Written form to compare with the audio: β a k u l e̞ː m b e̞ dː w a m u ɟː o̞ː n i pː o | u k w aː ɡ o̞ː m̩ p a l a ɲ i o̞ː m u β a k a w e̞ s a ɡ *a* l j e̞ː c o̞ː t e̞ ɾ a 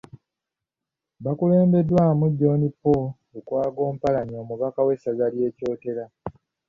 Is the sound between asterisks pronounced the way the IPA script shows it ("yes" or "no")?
yes